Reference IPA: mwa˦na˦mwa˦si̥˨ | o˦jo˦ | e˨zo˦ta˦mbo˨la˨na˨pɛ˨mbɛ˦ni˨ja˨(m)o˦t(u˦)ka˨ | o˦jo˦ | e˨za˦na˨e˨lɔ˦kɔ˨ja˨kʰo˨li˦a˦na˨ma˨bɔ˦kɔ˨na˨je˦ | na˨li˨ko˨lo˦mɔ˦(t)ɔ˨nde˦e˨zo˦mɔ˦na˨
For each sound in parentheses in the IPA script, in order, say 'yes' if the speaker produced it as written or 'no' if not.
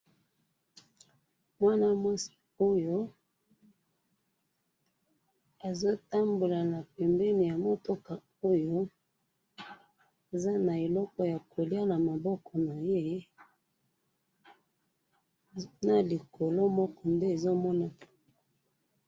yes, no, no

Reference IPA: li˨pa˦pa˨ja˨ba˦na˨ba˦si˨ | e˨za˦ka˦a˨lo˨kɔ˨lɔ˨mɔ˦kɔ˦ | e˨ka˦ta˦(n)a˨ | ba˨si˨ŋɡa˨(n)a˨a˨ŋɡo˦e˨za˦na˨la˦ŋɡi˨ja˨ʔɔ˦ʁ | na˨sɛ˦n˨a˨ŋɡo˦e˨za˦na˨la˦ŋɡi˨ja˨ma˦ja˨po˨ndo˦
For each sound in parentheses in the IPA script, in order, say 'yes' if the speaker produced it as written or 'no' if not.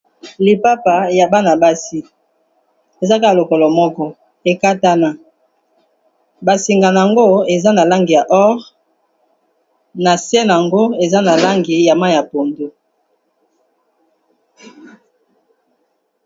yes, yes

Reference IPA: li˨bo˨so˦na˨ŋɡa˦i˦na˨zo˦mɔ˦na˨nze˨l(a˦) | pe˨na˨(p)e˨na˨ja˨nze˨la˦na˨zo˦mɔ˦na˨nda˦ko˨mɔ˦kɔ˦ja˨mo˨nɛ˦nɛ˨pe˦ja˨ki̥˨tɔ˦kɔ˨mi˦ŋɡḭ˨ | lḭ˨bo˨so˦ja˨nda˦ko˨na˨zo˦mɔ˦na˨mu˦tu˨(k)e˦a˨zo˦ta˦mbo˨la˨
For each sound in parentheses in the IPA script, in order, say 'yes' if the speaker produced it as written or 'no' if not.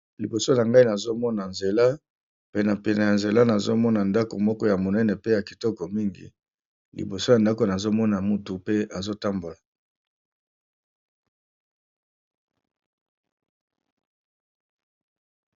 yes, yes, no

